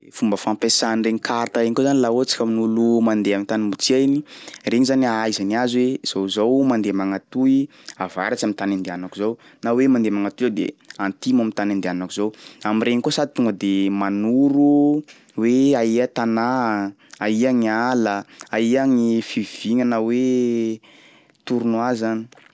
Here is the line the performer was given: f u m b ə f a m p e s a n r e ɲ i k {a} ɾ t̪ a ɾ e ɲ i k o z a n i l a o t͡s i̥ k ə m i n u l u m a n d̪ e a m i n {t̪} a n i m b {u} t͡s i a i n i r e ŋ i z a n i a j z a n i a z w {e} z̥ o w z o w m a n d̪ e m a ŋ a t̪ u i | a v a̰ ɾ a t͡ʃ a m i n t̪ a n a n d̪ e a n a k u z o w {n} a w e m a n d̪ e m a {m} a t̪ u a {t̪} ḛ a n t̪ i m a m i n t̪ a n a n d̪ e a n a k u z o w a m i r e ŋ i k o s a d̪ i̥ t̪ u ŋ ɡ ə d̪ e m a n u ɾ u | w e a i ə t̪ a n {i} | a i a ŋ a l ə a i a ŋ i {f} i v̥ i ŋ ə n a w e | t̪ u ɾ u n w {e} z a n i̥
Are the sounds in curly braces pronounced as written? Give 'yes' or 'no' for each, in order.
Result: yes, yes, yes, yes, yes, no, no, no, yes, no

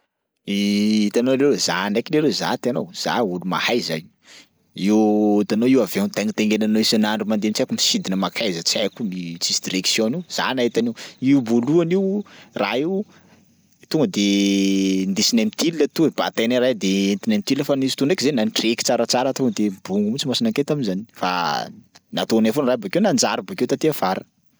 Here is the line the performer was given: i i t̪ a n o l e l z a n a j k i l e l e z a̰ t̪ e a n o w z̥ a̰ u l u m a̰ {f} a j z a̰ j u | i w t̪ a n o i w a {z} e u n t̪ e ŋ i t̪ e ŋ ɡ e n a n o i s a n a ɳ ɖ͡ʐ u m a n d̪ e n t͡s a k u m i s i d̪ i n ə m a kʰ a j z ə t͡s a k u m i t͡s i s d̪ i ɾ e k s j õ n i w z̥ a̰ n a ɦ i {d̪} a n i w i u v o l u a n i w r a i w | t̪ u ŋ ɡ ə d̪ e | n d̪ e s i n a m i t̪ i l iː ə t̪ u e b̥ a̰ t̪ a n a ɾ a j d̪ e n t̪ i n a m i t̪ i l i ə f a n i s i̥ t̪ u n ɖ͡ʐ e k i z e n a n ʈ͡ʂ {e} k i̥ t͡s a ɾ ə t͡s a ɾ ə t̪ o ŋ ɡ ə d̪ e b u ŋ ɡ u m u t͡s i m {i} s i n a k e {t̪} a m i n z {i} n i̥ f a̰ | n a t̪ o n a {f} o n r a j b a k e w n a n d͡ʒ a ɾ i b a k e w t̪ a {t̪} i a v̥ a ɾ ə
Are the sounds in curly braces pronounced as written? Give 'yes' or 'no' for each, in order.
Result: no, no, no, yes, no, yes, no, yes, yes

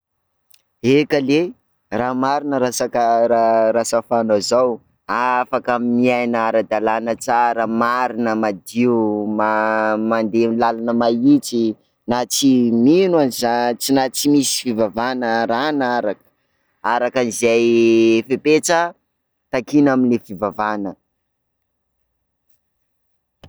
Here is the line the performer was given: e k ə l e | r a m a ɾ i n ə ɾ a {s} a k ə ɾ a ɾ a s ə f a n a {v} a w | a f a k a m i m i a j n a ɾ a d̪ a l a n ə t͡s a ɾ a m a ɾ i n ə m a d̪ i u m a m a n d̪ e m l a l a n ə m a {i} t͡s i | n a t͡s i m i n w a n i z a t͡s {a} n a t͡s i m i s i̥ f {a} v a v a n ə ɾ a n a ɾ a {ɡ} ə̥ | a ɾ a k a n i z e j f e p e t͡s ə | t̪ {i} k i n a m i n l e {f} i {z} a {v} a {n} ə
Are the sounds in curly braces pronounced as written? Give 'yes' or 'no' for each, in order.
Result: yes, no, yes, no, no, no, no, yes, no, yes, yes

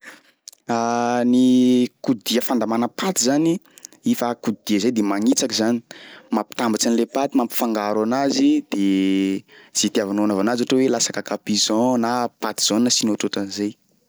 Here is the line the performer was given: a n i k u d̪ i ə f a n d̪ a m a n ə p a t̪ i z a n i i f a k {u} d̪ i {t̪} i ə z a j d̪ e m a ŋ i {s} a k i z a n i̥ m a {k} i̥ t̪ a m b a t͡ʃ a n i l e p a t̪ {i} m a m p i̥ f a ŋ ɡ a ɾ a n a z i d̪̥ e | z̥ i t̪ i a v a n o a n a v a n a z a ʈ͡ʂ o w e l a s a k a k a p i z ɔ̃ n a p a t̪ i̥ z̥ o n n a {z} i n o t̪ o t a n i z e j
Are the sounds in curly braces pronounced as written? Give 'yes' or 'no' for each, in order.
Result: yes, no, no, no, yes, no

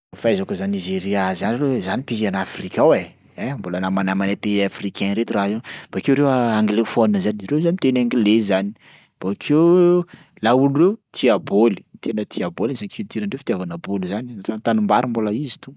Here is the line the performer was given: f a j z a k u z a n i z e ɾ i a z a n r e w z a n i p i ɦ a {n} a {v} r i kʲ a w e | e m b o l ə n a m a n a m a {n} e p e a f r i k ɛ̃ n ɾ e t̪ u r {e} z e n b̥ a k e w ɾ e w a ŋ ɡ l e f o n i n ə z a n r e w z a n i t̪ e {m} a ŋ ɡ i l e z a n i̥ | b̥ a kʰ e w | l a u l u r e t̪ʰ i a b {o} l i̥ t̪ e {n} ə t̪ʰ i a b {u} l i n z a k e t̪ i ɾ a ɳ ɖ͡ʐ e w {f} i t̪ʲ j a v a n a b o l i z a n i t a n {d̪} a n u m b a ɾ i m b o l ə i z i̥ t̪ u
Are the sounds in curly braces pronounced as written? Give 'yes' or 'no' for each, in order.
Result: yes, no, yes, no, no, yes, yes, no, yes, no

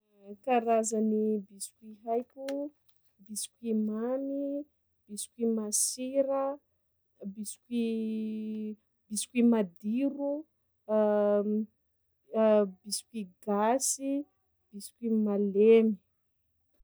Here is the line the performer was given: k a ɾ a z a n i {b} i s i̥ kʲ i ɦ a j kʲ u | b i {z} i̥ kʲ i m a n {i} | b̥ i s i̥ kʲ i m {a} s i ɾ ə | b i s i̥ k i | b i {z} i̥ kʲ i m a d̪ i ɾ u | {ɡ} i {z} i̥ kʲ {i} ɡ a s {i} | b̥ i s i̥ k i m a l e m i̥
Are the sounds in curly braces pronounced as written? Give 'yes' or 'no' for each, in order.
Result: yes, no, yes, yes, no, no, no, yes, yes

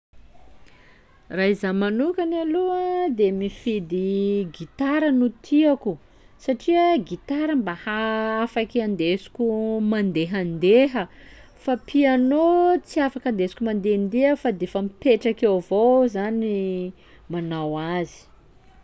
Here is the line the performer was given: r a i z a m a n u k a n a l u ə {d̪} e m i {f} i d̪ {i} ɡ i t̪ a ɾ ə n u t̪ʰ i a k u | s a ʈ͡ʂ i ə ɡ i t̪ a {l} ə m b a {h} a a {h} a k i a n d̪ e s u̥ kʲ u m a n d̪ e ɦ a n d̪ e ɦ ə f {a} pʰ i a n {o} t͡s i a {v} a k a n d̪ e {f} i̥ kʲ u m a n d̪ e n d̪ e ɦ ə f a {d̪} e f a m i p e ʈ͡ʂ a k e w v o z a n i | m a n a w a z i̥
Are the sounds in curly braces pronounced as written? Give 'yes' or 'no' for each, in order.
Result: yes, yes, yes, no, yes, no, yes, yes, no, no, yes

